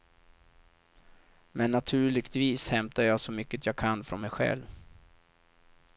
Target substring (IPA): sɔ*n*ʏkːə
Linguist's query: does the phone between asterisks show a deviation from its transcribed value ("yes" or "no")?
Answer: yes